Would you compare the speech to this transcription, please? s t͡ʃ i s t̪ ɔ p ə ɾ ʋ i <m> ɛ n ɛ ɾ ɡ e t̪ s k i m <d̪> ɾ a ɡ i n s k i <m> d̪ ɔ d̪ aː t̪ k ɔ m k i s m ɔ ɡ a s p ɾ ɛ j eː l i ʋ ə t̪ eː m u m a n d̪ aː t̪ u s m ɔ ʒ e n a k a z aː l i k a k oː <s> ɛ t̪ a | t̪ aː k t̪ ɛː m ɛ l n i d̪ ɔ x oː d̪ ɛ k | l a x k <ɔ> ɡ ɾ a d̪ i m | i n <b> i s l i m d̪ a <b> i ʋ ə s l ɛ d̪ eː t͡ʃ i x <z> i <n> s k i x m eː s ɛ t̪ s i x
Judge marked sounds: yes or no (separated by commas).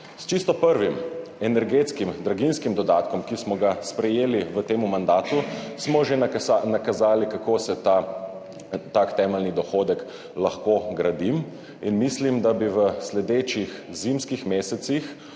yes, yes, yes, yes, no, no, yes, yes, no